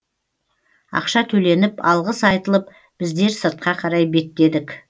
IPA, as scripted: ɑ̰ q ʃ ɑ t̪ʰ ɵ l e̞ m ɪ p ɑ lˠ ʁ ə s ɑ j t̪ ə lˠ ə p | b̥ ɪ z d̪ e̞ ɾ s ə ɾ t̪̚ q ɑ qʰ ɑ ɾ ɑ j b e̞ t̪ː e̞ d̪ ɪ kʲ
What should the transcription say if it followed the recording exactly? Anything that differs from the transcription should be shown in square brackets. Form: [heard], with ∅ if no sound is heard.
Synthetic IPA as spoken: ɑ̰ q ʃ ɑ t̪ʰ ɵ l e̞ [n] ɪ p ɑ lˠ ʁ ə s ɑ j t̪ ə lˠ ə p | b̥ ɪ z d̪ e̞ ɾ s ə ɾ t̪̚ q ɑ qʰ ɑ ɾ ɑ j b e̞ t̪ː e̞ d̪ ɪ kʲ

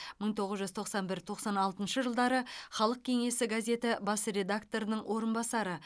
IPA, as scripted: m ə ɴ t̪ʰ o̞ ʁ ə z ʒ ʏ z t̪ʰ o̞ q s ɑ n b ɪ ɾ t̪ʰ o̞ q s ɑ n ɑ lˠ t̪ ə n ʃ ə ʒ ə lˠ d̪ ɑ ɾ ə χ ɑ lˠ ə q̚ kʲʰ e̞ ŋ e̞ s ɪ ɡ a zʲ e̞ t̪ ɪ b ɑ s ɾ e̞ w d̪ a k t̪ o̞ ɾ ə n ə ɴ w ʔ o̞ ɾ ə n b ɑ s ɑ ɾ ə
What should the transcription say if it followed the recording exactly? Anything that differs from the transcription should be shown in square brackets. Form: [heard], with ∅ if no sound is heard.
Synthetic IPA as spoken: m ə ɴ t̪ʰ o̞ ʁ ə z ʒ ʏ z t̪ʰ o̞ q s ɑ n b ɪ ɾ t̪ʰ o̞ q s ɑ n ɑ lˠ t̪ ə n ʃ ə ʒ ə lˠ d̪ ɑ ɾ ə χ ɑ lˠ ə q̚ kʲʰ e̞ ŋ e̞ s ɪ ɡ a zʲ e̞ t̪ ɪ b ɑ s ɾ e̞ [∅] d̪ a k t̪ o̞ ɾ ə n ə ɴ w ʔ o̞ ɾ ə n b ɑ s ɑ ɾ ə

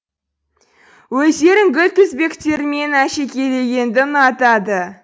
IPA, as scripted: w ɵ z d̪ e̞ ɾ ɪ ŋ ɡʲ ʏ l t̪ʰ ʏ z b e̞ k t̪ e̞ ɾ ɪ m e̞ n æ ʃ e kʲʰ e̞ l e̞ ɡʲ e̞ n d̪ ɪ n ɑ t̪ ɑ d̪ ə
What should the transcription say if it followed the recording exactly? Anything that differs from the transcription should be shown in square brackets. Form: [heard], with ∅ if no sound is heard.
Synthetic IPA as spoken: w ɵ z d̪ e̞ ɾ ɪ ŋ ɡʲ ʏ l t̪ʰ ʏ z b e̞ k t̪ e̞ ɾ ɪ m e̞ n æ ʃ e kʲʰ e̞ l e̞ ɡʲ e̞ n d̪ ɪ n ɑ t̪ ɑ d̪ ə

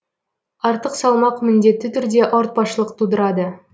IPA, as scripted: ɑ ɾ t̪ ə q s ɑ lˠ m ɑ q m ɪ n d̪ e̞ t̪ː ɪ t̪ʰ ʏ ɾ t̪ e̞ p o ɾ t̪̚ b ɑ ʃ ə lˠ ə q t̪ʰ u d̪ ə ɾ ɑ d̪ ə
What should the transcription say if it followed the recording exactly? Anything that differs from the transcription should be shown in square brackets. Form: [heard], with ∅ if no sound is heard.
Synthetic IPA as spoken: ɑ ɾ t̪ ə q s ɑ lˠ m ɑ q m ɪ n d̪ e̞ t̪ː ɪ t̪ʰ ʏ ɾ [d̪] e̞ [ʔ] o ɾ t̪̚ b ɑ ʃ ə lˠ ə q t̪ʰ u d̪ ə ɾ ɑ d̪ ə

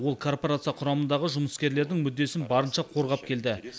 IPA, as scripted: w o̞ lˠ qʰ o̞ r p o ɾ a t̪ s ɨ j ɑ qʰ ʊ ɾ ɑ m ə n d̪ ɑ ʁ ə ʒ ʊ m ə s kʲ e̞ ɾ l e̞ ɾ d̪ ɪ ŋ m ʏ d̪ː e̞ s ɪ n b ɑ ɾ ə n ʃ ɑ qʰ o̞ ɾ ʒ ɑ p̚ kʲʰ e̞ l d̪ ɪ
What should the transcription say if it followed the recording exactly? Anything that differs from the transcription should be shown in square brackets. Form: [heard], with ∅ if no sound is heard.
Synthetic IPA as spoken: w o̞ lˠ [kʰ] o̞ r p o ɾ a t̪ s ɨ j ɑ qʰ ʊ ɾ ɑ m ə n d̪ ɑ ʁ ə ʒ ʊ m ə s kʲ e̞ ɾ l e̞ ɾ d̪ ɪ ŋ m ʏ d̪ː e̞ s ɪ n b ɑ ɾ ə n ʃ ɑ qʰ o̞ ɾ [ʁ] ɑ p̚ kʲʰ e̞ l d̪ ɪ

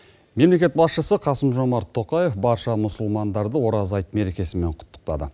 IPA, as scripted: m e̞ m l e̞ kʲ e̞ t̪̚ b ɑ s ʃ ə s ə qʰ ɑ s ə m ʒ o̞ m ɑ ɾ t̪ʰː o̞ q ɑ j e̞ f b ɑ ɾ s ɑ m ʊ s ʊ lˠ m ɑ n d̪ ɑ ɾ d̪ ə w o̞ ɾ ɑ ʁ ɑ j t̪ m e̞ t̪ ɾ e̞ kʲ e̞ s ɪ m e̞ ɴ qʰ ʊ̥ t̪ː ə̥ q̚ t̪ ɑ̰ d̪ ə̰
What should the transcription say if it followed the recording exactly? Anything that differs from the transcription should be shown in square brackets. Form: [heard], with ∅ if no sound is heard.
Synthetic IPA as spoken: m e̞ m l e̞ kʲ e̞ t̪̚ b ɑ s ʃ ə s ə qʰ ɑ s ə m ʒ o̞ m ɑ ɾ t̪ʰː o̞ q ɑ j e̞ f b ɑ ɾ [ʃ] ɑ m ʊ s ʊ lˠ m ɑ n d̪ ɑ ɾ d̪ ə w o̞ ɾ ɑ [z] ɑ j t̪ m e̞ [∅] ɾ e̞ kʲ e̞ s ɪ m e̞ ɴ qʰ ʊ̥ t̪ː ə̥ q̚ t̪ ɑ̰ d̪ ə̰

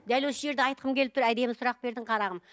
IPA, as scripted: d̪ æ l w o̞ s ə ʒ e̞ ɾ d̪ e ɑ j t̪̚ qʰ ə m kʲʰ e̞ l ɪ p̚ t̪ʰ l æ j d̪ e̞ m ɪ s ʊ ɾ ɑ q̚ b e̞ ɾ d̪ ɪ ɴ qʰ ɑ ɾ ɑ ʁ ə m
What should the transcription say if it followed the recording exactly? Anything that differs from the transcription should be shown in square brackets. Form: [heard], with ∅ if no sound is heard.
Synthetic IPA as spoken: d̪ æ l w o̞ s ə ʒ e̞ ɾ d̪ e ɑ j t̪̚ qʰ ə m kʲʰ e̞ l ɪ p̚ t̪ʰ [ɾ] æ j d̪ e̞ m ɪ s ʊ ɾ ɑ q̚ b e̞ ɾ d̪ ɪ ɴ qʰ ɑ ɾ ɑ ʁ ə m

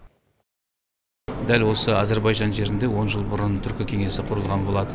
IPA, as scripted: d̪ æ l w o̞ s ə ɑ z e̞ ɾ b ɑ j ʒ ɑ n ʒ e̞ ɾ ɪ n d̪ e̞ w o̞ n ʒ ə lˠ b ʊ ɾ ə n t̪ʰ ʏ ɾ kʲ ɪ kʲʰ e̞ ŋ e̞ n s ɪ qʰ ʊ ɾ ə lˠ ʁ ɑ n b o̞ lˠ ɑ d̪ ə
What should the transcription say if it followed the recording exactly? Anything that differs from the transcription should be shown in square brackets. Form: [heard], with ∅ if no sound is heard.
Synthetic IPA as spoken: d̪ æ l w o̞ s ə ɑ z e̞ ɾ b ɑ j ʒ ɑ n ʒ e̞ ɾ ɪ n d̪ e̞ w o̞ n ʒ ə lˠ b ʊ ɾ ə n t̪ʰ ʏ ɾ kʲ ɪ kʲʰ e̞ ŋ e̞ [∅] s ɪ qʰ ʊ ɾ ə lˠ ʁ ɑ n b o̞ lˠ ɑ d̪ ə

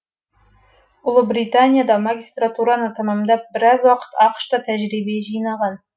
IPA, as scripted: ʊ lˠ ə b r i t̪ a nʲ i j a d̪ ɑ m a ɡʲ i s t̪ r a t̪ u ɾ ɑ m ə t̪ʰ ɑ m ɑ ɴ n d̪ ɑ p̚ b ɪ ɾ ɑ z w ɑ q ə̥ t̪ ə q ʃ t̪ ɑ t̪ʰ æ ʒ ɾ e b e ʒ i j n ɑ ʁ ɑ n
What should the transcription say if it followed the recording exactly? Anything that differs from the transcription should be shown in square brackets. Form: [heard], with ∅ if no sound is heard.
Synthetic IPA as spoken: ʊ lˠ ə b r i t̪ a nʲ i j a d̪ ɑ m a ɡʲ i s t̪ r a t̪ u ɾ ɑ [n] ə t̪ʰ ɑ m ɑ [m] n d̪ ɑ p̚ b ɪ ɾ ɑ z w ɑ q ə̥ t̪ [ɑ] q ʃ t̪ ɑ t̪ʰ æ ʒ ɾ [i] b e ʒ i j n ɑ ʁ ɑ n

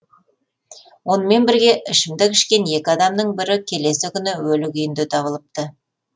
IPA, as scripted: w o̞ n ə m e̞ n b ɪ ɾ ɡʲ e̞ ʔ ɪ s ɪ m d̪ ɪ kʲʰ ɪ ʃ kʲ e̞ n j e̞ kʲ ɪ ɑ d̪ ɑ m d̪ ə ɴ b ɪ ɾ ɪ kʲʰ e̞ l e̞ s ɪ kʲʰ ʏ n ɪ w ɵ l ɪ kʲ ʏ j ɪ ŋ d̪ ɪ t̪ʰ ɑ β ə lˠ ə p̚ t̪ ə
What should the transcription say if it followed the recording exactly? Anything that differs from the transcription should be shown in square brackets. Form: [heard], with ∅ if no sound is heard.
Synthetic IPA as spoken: w o̞ n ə m e̞ n b ɪ ɾ ɡʲ e̞ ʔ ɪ [ʃ] ɪ m d̪ ɪ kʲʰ ɪ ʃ kʲ e̞ n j e̞ kʲ ɪ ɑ d̪ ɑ m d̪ ə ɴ b ɪ ɾ ɪ kʲʰ e̞ l e̞ s ɪ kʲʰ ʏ n ɪ w ɵ l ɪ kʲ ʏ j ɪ [n] d̪ ɪ t̪ʰ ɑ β ə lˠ ə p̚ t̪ ə

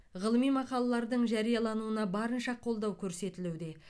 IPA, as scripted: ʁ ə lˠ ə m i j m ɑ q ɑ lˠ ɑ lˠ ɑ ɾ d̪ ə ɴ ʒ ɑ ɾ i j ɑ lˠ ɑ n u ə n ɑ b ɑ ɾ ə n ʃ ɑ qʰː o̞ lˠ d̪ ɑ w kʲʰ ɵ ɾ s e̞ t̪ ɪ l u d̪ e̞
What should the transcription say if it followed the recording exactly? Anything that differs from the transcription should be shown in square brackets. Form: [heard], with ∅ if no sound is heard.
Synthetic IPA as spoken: ʁ ə lˠ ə m i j m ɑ q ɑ lˠ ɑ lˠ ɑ ɾ d̪ ə ɴ ʒ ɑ ɾ i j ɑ lˠ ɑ n u ə n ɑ b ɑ ɾ ə n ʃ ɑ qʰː o̞ lˠ d̪ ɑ w kʲʰ ɵ ɾ s e̞ t̪ ɪ l u d̪ e̞

